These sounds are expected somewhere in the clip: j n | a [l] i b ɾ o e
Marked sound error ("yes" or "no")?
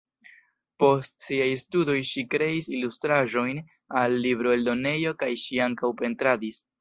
yes